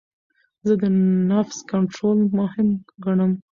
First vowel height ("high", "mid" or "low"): mid